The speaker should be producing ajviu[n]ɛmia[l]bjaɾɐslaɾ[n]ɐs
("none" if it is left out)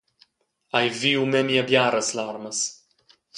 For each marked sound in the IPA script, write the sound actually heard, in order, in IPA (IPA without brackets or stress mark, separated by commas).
m, none, m